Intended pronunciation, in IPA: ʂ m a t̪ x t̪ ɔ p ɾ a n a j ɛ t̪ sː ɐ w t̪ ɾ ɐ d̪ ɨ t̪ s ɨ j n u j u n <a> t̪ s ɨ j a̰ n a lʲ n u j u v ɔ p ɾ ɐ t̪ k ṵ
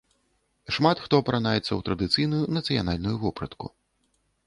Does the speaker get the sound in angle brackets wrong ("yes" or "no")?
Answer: yes